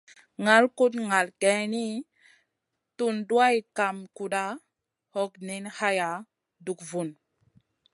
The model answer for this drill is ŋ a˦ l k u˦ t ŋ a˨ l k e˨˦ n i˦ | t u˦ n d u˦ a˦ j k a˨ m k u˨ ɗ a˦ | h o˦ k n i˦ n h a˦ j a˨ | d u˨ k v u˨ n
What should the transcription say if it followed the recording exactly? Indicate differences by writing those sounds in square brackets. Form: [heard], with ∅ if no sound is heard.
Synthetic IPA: ŋ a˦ l k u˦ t ŋ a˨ l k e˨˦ n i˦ | t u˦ n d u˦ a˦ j k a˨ m k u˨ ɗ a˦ | h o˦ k n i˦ n h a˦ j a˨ | d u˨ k v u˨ n